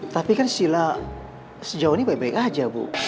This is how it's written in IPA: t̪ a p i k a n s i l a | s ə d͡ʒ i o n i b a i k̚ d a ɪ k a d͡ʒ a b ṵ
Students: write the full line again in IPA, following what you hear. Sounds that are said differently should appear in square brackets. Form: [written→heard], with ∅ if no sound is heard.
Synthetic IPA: t̪ a p i k a n s i l a | s ə d͡ʒ [i→a] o n i b a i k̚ [d→b] a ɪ k a d͡ʒ a b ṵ